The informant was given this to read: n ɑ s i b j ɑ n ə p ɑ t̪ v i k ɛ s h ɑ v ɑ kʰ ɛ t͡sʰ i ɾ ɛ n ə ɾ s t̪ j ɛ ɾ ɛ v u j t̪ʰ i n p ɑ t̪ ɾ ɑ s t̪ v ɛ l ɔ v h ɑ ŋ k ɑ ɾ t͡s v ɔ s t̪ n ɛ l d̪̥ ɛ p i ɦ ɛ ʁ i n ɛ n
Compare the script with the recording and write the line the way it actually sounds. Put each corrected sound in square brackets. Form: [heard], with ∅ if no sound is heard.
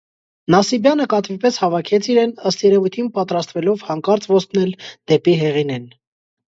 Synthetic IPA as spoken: n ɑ s i b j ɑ n ə [k] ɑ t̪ v i [p] ɛ s h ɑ v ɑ kʰ ɛ t͡sʰ i ɾ ɛ n ə [∅] s t̪ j ɛ ɾ ɛ v u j t̪ʰ i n p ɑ t̪ ɾ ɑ s t̪ v ɛ l ɔ v h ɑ ŋ k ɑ ɾ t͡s v ɔ s t̪ n ɛ l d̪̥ ɛ p i ɦ ɛ ʁ i n ɛ n